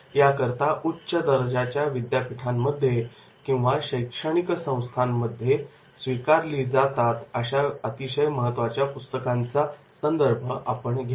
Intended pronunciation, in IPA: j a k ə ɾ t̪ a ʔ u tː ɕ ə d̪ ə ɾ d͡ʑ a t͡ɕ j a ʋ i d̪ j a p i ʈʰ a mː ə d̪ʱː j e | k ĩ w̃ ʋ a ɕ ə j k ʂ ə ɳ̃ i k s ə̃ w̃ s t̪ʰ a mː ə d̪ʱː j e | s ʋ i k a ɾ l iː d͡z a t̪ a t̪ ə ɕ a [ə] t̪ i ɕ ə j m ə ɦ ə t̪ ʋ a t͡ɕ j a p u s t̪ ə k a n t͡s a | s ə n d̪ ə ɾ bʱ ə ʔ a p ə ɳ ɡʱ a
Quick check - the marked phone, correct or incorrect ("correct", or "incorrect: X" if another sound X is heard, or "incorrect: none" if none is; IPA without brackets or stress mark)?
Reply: correct